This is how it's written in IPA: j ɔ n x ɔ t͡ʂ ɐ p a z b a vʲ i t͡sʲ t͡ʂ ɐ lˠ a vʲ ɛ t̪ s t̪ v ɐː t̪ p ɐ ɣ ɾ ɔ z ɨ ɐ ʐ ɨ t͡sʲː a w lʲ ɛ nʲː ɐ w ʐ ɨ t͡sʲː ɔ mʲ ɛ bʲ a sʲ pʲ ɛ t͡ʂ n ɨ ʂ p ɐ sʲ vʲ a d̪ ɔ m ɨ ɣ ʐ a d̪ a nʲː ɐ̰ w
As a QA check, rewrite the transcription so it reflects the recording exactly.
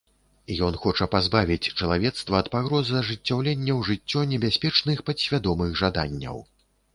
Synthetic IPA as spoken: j ɔ n x ɔ t͡ʂ ɐ p a z b a vʲ i t͡sʲ t͡ʂ ɐ lˠ a vʲ ɛ t̪ s t̪ v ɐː t̪ p a ɣ ɾ ɔ z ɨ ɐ ʐ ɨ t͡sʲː a w lʲ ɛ nʲː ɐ w ʐ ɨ t͡sʲː ɔ nʲ ɛ bʲ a sʲ pʲ ɛ t͡ʂ n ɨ x p ɐ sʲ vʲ a d̪ ɔ m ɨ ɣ ʐ a d̪ a nʲː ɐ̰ w

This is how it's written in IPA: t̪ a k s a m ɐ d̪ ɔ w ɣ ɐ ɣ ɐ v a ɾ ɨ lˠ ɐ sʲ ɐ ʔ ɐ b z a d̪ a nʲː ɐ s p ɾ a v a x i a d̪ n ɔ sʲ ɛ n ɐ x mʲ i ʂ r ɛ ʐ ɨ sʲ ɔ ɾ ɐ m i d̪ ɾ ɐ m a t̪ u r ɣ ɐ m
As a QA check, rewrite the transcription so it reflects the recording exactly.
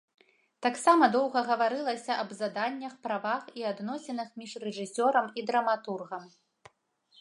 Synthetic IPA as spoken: t̪ a k s a m ɐ d̪ ɔ w ɣ ɐ ɣ ɐ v a ɾ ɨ lˠ ɐ sʲ ɐ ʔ ɐ b z a d̪ a nʲː ɐ x p ɾ a v a x i a d̪ n ɔ sʲ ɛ n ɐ x mʲ i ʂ r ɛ ʐ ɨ sʲ ɔ ɾ ɐ m i d̪ ɾ ɐ m a t̪ u r ɣ ɐ m

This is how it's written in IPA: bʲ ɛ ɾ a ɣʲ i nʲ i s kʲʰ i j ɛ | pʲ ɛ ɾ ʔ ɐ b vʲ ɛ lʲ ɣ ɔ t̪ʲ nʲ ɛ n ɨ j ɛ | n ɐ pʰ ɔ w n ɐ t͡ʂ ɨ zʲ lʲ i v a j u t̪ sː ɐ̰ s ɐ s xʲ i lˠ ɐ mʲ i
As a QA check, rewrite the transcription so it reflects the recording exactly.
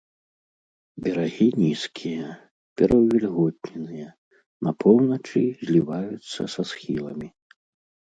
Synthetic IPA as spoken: bʲ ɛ ɾ a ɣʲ i nʲ i s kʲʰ i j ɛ | pʲ ɛ ɾ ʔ ɐ w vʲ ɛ lʲ ɣ ɔ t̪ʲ nʲ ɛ n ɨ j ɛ | n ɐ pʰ ɔ w n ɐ t͡ʂ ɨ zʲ lʲ i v a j u t̪ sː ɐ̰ s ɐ s xʲ i lˠ ɐ mʲ i

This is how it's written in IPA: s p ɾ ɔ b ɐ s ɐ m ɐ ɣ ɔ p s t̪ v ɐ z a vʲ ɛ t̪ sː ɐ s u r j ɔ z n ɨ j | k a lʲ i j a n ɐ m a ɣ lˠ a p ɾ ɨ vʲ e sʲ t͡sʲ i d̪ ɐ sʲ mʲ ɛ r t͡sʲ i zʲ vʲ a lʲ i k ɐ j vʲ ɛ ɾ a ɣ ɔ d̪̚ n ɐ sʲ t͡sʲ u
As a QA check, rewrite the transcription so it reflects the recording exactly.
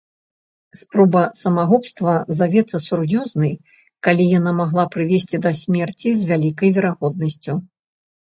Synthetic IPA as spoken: s p ɾ ɔ b ɐ s ɐ m a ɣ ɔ p s t̪ v ɐ z a vʲ ɛ t̪ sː ɐ s u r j ɔ z n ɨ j | k a lʲ i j a n a m a ɣ lˠ a p ɾ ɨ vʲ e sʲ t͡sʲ i d̪ ɐ sʲ mʲ ɛ r t͡sʲ i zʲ vʲ a lʲ i k ɐ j vʲ ɛ ɾ a ɣ ɔ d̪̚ n ɐ sʲ t͡sʲ u

